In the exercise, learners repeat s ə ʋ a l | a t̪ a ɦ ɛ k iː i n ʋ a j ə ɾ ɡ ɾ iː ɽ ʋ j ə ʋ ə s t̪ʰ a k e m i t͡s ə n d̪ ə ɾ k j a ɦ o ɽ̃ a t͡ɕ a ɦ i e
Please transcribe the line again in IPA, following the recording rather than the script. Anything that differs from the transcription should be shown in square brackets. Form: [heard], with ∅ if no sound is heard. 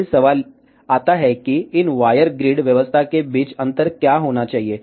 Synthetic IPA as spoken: s ə ʋ a l | a t̪ a ɦ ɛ k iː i n ʋ a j ə ɾ ɡ ɾ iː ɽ ʋ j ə ʋ ə s t̪ʰ a k e [b] i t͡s ə n [t̪] ə ɾ k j a ɦ o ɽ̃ a t͡ɕ a ɦ i e